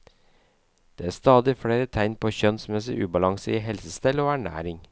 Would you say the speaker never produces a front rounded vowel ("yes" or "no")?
no